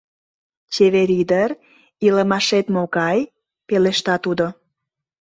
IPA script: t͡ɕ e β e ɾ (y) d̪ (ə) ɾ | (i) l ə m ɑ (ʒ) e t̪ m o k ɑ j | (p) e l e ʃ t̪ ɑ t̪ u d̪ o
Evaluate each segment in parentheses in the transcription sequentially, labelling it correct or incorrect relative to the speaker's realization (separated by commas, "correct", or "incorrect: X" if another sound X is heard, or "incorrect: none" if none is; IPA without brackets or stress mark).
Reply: incorrect: i, correct, correct, incorrect: ʃ, correct